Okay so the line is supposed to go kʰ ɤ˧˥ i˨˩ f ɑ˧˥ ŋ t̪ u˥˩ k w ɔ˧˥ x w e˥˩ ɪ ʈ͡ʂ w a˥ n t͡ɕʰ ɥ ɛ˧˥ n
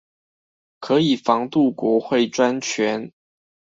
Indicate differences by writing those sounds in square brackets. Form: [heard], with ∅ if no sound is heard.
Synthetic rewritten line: kʰ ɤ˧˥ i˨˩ f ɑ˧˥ ŋ t̪ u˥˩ k w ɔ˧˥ x w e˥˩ ɪ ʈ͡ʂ w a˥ n t͡ɕʰ ɥ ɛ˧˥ n